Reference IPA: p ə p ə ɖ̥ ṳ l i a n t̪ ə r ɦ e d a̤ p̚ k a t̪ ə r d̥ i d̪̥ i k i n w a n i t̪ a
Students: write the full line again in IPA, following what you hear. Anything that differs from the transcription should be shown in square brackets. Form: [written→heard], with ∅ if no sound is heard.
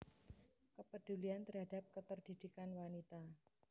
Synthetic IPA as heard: [p→k] ə p ə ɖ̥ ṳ l i a n t̪ ə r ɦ [e→a] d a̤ p̚ k [a→ə] t̪ ə r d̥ i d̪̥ i k [i→a] n w a n i t̪ a